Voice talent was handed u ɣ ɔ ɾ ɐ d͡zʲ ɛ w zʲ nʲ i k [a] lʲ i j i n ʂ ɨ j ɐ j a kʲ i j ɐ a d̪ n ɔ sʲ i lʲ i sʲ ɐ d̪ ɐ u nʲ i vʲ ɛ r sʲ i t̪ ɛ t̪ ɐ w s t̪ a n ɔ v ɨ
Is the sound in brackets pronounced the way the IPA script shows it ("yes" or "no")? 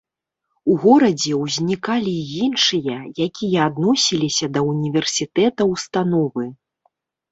yes